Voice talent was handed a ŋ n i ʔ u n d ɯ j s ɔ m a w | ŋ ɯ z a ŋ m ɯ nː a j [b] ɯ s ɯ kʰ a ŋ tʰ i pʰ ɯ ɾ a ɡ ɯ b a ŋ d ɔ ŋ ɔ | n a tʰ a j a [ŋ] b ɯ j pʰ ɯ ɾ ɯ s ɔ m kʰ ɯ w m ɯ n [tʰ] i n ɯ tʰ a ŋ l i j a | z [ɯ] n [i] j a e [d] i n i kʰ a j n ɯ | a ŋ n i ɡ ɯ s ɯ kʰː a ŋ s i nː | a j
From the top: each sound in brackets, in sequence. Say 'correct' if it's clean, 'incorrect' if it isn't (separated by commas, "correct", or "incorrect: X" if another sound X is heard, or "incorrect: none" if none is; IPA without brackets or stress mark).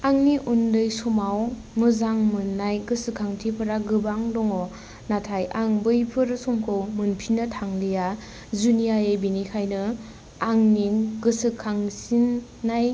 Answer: incorrect: ɡ, correct, incorrect: pʰ, incorrect: u, correct, incorrect: b